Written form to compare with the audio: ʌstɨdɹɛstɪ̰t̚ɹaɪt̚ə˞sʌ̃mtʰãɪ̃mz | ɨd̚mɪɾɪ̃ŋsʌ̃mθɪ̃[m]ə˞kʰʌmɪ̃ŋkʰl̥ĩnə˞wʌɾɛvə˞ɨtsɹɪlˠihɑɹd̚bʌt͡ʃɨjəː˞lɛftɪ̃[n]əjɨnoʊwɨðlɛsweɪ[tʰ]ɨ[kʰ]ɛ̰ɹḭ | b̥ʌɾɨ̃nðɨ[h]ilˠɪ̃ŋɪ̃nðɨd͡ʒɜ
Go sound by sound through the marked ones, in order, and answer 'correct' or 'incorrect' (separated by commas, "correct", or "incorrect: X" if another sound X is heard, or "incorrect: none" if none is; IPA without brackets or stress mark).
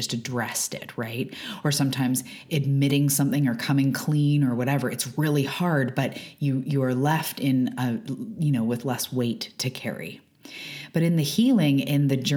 incorrect: ŋ, correct, correct, correct, correct